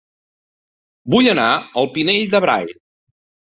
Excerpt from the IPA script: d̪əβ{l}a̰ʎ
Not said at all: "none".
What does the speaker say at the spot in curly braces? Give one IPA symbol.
ɾ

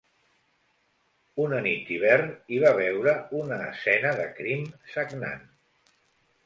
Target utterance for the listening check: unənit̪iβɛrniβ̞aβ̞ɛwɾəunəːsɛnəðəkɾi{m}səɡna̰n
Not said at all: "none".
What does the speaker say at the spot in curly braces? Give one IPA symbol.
m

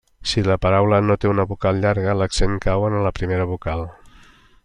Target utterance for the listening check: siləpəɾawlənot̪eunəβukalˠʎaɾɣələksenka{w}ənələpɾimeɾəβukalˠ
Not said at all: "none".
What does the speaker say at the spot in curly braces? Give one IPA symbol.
w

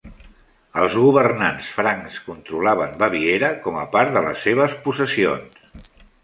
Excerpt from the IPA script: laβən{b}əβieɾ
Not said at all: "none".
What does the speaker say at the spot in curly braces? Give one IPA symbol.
b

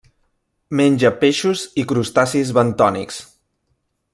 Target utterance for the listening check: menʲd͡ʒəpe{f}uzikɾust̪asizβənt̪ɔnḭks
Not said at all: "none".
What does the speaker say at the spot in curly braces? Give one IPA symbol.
ʃ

